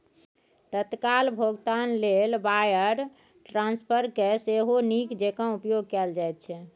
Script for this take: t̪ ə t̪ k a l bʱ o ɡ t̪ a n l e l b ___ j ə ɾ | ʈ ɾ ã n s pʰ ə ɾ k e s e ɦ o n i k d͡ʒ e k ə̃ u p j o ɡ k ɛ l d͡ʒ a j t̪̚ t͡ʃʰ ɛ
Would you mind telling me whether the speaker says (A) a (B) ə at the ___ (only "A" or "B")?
A